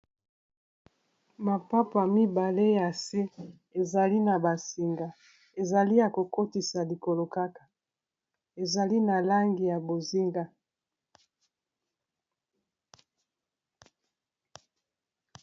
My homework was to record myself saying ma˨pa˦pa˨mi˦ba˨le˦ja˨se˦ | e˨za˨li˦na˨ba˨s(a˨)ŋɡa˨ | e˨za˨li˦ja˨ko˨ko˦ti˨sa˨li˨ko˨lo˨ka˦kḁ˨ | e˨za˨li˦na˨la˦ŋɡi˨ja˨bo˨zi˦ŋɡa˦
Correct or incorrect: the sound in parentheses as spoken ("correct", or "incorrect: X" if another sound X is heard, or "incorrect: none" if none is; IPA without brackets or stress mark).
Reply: incorrect: i˨